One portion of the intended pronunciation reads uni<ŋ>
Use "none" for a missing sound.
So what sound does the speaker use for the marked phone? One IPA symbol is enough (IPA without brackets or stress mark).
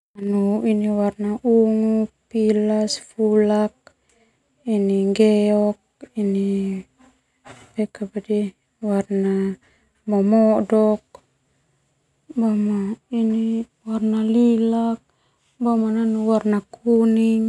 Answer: ŋ